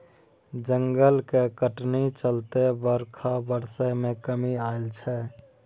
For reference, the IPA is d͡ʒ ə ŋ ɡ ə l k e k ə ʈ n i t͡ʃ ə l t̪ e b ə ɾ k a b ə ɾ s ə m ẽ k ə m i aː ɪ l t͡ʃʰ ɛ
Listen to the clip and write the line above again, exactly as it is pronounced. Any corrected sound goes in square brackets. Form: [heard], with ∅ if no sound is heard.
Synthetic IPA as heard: d͡ʒ ə ŋ ɡ ə l k e k ə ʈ n i t͡ʃ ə l t̪ e b ə ɾ [kʰ] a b ə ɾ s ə m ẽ k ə m i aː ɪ l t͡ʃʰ ɛ